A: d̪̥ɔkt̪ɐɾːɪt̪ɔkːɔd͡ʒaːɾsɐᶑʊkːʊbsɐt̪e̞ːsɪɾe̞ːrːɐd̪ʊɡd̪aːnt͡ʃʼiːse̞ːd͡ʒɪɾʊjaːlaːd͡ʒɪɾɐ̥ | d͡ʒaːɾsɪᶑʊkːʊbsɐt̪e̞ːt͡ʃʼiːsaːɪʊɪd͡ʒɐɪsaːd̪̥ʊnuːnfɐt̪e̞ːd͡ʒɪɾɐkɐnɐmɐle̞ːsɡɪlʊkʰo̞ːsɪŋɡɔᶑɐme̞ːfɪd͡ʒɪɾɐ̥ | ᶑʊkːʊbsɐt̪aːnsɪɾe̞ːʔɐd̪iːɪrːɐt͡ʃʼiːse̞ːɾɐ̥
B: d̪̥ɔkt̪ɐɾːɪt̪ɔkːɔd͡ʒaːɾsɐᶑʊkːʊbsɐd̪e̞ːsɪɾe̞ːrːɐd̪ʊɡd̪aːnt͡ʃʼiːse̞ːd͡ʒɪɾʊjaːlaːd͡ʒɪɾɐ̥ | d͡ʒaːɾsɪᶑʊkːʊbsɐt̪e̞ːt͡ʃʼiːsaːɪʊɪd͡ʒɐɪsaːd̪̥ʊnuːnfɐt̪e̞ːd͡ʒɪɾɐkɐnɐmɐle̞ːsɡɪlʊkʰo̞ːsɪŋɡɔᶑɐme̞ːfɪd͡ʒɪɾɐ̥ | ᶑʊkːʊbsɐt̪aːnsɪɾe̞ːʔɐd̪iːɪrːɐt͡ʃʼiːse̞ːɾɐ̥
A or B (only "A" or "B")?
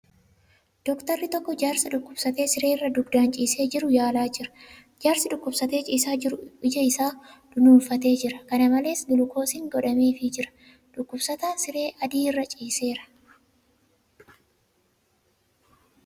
A